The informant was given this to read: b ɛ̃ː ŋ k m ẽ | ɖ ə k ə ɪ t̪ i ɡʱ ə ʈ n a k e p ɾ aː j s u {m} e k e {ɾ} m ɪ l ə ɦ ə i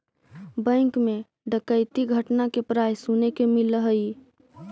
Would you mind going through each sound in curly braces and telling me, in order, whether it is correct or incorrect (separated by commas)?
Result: incorrect, incorrect